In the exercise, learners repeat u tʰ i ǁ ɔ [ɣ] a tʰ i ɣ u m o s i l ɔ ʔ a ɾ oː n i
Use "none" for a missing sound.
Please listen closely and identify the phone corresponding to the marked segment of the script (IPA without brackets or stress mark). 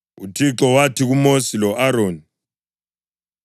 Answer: w